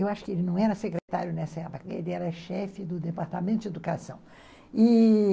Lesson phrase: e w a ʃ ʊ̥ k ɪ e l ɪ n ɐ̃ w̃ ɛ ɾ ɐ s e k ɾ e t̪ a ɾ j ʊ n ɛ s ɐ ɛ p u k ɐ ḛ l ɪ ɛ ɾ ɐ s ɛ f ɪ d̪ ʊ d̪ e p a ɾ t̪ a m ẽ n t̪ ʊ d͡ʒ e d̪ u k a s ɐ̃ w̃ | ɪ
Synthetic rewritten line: e w a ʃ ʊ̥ k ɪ e l ɪ n ɐ̃ w̃ ɛ ɾ ɐ s e k ɾ e t̪ a ɾ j ʊ n ɛ s ɐ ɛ p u k ɐ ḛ l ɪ ɛ ɾ ɐ ʃ ɛ f ɪ d̪ ʊ d̪ e p a ɾ t̪ a m ẽ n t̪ ʊ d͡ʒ e d̪ u k a s ɐ̃ w̃ | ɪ